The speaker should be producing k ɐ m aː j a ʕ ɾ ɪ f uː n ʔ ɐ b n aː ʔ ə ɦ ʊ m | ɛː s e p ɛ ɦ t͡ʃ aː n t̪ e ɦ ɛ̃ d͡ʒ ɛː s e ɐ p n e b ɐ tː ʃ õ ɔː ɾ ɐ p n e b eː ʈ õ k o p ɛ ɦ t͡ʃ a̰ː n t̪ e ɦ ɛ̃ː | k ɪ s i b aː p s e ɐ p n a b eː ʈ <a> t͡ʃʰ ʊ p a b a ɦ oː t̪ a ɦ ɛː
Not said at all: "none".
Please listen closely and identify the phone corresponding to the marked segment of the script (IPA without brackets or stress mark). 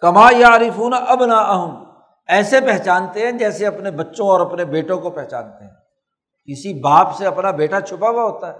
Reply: a